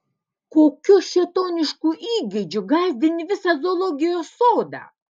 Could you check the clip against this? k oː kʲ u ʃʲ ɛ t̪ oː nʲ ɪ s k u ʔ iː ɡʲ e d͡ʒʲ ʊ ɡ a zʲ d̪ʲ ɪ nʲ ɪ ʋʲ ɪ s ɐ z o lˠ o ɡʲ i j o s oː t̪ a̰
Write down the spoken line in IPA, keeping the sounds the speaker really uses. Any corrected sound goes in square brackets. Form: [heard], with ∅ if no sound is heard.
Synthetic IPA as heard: k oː kʲ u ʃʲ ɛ t̪ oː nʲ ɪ [ʃ] k u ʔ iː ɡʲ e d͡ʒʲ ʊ ɡ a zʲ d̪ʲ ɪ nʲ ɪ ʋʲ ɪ s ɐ z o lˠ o ɡʲ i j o s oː [d̪] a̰

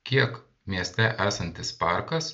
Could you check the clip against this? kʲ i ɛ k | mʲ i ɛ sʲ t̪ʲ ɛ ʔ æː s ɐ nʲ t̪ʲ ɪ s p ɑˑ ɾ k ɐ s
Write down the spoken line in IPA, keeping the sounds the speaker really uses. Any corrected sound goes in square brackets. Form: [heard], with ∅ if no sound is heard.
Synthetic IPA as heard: kʲ i ɛ k | mʲ i ɛ sʲ t̪ʲ ɛ ʔ æː s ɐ nʲ t̪ʲ ɪ s p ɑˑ ɾ k ɐ s

